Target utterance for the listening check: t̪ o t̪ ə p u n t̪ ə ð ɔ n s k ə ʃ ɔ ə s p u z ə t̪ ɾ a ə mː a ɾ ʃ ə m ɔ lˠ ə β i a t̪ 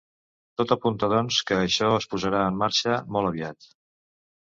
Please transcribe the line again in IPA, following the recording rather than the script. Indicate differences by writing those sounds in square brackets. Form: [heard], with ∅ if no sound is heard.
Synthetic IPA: t̪ o t̪ ə p u n t̪ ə ð ɔ n s k [əː] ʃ ɔ ə s p u z ə [∅] ɾ a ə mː a ɾ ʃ ə m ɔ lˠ ə β i a t̪